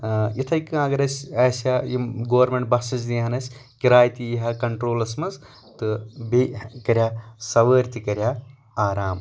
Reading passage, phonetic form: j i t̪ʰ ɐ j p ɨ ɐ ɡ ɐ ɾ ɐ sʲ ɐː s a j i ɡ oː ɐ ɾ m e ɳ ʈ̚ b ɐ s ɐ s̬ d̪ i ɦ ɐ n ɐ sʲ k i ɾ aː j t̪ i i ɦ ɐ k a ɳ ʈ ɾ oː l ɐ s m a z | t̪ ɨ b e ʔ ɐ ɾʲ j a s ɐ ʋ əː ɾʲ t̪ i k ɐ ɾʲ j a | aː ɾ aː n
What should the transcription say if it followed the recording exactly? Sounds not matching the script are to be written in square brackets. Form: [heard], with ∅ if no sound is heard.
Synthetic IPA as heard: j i t̪ʰ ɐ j [k] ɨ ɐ ɡ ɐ ɾ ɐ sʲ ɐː s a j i ɡ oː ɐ ɾ m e ɳ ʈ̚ b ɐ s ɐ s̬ d̪ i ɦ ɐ n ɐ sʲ k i ɾ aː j t̪ i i ɦ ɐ k [ɐ] ɳ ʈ ɾ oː l ɐ s m [ɐ] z | t̪ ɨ b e [k] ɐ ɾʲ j a s ɐ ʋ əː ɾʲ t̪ i k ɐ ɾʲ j a | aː ɾ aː [m]